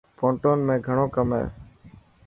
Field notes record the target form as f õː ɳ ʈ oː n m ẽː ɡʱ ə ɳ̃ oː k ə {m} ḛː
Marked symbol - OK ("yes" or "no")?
yes